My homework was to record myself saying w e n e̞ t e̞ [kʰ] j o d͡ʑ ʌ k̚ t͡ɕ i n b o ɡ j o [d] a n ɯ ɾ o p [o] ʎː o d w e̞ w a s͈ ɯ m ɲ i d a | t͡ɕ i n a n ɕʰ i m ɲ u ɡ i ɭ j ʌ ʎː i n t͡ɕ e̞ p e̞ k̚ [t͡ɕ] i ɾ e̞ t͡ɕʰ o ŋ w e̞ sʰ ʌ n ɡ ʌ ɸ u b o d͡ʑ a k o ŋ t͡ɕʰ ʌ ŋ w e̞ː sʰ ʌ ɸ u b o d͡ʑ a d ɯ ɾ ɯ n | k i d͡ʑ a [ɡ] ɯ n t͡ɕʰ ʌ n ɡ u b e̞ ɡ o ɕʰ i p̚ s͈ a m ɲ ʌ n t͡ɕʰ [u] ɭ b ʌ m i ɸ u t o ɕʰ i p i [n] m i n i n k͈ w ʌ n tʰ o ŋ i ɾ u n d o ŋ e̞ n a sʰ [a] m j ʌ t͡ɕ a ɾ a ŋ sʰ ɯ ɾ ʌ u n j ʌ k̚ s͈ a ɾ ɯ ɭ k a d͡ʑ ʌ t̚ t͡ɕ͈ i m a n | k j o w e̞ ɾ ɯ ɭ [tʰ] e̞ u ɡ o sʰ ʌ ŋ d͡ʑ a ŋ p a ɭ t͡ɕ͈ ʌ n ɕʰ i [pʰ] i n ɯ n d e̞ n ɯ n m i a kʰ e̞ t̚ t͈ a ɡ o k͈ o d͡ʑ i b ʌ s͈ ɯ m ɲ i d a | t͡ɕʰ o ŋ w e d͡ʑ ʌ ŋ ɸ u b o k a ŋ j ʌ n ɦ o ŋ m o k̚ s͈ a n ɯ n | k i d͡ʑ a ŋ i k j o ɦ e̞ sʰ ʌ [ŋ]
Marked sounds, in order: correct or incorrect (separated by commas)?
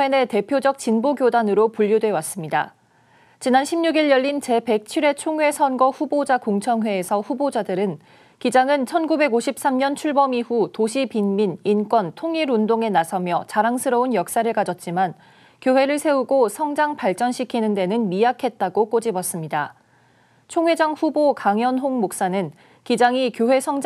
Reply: incorrect, correct, incorrect, incorrect, incorrect, correct, correct, incorrect, incorrect, incorrect, correct